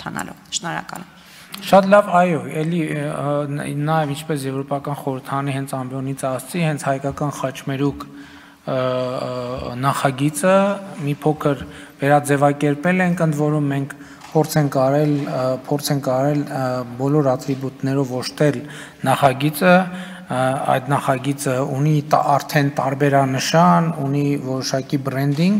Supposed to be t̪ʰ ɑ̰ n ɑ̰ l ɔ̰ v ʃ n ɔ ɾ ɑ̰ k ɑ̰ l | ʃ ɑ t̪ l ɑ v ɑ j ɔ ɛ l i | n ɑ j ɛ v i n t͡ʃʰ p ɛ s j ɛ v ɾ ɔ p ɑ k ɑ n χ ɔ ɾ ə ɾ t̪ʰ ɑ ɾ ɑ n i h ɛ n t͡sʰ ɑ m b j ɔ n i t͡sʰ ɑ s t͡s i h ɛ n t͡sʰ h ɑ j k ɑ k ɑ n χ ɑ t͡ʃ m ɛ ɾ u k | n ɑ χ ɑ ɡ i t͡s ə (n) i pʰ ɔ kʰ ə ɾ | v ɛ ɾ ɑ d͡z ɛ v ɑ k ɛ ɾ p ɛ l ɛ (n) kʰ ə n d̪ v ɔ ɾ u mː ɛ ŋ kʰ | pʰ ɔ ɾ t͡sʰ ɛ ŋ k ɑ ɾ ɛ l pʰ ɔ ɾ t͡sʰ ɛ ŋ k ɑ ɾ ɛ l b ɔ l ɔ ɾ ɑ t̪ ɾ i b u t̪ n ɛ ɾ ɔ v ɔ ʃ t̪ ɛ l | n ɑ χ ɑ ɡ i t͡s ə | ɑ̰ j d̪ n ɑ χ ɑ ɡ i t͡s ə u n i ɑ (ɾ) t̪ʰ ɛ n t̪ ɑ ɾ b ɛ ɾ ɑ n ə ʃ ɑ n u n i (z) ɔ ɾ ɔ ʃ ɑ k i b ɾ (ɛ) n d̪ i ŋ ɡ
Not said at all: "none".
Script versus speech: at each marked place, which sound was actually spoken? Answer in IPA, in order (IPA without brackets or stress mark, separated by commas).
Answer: m, ŋ, ɾ, v, ɛ